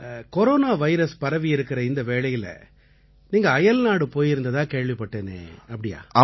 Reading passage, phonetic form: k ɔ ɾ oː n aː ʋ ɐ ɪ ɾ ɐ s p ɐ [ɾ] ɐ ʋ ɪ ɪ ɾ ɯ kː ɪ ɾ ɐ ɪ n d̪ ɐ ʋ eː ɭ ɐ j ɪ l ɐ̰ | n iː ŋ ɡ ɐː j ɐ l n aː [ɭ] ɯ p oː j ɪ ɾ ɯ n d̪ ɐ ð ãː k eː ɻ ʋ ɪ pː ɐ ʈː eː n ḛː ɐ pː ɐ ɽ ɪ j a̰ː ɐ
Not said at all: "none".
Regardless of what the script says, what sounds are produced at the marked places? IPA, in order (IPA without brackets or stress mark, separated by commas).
ɾ, ɽ